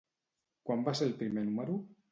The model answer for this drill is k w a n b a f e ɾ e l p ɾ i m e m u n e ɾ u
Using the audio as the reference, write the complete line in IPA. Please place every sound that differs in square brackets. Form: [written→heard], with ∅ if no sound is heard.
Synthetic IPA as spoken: k w a [n→m] b a [f→s] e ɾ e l p ɾ i m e [m→n] u [n→m] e ɾ u